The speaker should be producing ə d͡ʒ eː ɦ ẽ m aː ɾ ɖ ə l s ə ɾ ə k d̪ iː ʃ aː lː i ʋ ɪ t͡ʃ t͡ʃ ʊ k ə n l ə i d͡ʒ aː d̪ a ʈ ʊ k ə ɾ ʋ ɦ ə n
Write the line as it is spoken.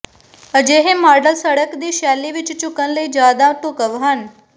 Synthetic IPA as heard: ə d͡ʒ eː ɦ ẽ m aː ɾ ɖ ə l s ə ɽ ə k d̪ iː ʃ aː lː i ʋ ɪ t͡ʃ t͡ʃ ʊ k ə n l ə i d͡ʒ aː d̪ a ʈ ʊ k ə ʋ ɦ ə n